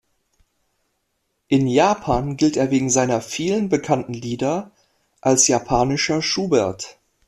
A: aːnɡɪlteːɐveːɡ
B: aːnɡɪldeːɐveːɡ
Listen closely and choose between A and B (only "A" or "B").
A